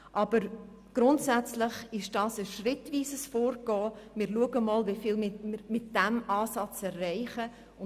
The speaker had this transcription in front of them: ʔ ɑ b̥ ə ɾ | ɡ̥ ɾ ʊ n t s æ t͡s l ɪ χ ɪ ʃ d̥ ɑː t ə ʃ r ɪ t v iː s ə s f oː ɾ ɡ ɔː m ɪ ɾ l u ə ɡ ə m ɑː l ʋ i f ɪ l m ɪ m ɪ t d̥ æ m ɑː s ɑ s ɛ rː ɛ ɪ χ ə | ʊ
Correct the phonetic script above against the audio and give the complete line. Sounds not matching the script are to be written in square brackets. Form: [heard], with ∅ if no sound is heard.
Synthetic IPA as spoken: ʔ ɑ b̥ ə ɾ | ɡ̥ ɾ ʊ n t s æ t͡s l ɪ χ ɪ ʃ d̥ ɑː [s] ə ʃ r ɪ t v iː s ə s f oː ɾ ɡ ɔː m ɪ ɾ l u ə ɡ ə m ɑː l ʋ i f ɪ l m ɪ m ɪ t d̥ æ m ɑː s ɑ [t͡s] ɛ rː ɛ ɪ χ ə | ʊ